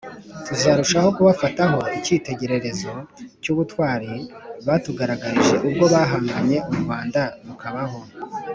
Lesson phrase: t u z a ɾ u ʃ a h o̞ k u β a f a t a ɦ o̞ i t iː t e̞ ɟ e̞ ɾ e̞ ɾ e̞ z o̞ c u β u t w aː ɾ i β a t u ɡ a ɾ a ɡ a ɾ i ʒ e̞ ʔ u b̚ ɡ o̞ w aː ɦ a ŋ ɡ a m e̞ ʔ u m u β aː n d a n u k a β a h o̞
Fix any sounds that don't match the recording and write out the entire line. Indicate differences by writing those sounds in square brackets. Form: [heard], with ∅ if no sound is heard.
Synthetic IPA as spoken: t u z a ɾ u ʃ a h o̞ k u β a f a t a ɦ o̞ i [c] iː t e̞ ɟ e̞ ɾ e̞ ɾ e̞ z o̞ c u β u t w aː ɾ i β a t u ɡ a ɾ a ɡ a ɾ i ʒ e̞ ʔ u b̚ ɡ o̞ [β] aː ɦ a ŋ ɡ a [ɲ] e̞ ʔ u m u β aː n d a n u k a β a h o̞